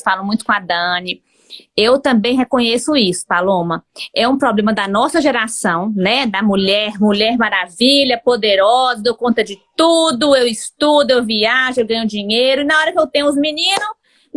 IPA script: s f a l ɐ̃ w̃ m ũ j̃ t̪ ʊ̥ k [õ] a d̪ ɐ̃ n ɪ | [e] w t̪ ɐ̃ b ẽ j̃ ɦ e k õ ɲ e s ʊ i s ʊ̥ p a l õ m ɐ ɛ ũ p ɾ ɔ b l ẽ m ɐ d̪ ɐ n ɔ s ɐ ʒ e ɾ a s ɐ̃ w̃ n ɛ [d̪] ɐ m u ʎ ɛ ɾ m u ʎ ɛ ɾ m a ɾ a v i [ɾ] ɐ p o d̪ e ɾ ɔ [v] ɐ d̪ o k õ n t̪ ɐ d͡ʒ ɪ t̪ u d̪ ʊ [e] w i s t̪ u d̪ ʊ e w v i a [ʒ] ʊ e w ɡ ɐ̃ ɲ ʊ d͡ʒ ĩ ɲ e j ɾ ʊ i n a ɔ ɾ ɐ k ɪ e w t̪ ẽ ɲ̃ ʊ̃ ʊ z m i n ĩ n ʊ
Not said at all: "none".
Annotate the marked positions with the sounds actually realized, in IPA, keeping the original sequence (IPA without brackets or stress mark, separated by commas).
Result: õ, e, d̪, ʎ, z, e, ʒ